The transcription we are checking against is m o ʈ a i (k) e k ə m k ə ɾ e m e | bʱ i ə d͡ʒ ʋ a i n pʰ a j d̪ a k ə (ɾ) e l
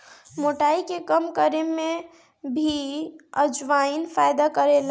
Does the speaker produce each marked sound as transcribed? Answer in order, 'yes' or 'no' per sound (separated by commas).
yes, yes